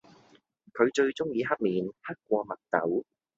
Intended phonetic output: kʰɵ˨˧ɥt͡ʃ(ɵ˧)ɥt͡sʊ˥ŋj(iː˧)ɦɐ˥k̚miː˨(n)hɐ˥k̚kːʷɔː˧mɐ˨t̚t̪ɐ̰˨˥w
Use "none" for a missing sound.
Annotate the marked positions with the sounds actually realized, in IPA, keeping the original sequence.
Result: ɵ˧, iː˧, n

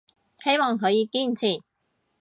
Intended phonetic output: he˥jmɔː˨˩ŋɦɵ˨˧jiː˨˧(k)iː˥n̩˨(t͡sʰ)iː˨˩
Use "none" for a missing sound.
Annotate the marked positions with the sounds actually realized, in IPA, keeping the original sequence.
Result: k, t͡sʰ

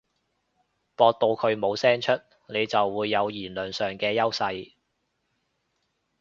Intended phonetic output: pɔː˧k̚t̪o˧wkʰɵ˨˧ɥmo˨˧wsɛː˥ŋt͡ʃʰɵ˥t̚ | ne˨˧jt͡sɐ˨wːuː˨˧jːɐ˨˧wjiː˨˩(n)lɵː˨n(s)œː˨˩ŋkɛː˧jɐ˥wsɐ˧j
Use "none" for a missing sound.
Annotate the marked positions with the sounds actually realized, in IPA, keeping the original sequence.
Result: n, s

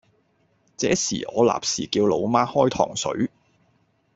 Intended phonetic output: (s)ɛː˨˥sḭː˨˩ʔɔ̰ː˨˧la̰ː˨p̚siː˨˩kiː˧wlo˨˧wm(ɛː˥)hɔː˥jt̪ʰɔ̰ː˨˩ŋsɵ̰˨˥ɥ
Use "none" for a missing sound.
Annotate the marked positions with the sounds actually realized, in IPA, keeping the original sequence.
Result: t͡s, aː˥

